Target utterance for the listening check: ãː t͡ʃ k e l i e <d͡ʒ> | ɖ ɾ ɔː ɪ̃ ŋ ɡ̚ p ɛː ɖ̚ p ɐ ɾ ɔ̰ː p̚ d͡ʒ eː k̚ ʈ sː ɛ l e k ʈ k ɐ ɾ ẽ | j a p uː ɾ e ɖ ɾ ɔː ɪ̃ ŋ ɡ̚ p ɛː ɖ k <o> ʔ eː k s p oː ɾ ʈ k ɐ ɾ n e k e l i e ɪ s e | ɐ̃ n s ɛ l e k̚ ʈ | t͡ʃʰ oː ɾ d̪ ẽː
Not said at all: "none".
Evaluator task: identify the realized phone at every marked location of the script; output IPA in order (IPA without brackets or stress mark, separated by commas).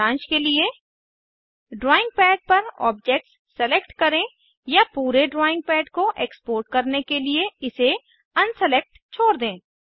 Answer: none, o